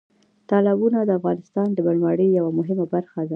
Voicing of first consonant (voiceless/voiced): voiceless